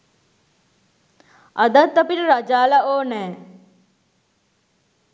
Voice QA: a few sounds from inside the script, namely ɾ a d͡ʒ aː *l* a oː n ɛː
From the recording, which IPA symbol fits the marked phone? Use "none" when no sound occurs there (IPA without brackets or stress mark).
l